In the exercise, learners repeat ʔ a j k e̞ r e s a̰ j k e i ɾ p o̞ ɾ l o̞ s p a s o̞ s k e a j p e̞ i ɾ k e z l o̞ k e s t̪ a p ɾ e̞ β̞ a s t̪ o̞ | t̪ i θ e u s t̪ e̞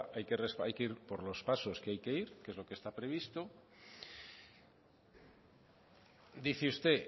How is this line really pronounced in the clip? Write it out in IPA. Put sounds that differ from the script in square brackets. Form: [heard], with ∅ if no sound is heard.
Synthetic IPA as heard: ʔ a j k e̞ r e s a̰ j k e i ɾ p o̞ ɾ l o̞ s p a s o̞ s k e a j [k] e̞ i ɾ k e z l o̞ k e s t̪ a p ɾ e̞ β̞ [i] s t̪ o̞ | [d̪] i θ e u s t̪ e̞